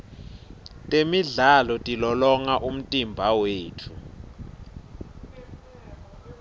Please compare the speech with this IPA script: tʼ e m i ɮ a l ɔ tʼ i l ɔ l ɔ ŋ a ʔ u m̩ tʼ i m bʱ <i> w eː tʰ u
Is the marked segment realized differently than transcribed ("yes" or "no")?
yes